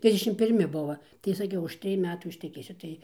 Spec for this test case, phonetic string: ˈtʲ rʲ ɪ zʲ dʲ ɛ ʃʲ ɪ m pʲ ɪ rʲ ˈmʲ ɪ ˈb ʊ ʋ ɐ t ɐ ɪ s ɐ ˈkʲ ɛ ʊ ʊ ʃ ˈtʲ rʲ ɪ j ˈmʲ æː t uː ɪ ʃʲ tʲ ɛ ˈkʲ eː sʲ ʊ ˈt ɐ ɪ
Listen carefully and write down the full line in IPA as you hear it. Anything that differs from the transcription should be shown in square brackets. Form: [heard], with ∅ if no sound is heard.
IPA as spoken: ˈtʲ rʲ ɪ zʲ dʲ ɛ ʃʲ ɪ m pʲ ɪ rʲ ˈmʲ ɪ ˈb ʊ ʋ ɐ t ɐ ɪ s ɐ ˈkʲ ɛ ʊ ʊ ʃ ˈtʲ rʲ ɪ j ˈmʲ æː t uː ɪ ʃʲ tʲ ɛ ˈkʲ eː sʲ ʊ ˈt ɐ ɪ